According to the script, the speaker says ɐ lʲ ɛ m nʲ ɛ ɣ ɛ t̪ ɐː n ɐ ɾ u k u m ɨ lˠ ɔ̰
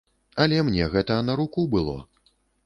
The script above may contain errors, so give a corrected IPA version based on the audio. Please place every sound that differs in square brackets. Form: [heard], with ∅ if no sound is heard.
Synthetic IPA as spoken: ɐ lʲ ɛ m nʲ ɛ ɣ ɛ t̪ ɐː n ɐ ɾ u k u [b] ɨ lˠ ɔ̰